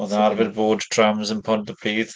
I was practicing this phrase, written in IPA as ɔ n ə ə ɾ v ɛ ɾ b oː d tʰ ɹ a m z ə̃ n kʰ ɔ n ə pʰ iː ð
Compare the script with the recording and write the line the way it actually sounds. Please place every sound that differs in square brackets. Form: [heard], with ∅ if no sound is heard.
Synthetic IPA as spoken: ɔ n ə [a] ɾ v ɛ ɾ b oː d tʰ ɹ a m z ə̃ n [pʰ] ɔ n ə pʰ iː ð